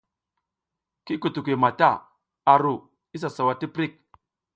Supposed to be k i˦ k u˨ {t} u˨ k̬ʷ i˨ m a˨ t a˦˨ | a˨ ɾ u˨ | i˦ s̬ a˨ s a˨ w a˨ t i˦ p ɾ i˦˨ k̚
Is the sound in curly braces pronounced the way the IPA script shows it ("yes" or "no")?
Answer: yes